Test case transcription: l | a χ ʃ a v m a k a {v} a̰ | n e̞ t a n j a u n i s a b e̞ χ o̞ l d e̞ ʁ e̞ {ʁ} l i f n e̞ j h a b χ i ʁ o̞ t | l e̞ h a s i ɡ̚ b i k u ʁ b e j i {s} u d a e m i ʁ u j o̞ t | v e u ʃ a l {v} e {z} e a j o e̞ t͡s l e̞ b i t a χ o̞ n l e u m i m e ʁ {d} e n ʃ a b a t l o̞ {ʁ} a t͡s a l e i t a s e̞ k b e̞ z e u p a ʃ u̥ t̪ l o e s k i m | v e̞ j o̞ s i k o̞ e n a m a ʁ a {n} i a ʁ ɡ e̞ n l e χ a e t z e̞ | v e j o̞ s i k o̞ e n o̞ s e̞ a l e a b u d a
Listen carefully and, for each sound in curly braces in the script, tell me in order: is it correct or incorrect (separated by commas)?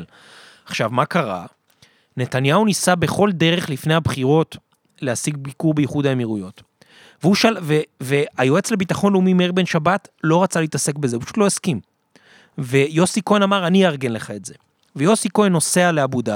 incorrect, incorrect, incorrect, correct, incorrect, incorrect, correct, correct